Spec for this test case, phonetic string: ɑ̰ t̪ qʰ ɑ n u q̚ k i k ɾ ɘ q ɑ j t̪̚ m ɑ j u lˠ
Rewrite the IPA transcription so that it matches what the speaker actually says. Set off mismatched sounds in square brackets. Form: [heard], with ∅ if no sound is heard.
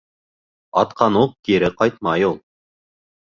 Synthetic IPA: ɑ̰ t̪ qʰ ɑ n u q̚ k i [∅] ɾ ɘ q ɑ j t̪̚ m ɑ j u lˠ